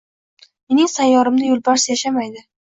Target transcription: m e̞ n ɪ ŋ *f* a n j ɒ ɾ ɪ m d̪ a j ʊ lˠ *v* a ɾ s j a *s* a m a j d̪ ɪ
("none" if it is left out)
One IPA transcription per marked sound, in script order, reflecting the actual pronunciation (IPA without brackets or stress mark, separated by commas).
s, b, ʃ